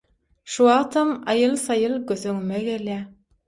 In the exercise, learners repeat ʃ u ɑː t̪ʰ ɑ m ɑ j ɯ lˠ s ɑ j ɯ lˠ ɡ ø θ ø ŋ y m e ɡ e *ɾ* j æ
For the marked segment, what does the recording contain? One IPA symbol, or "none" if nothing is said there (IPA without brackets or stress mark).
l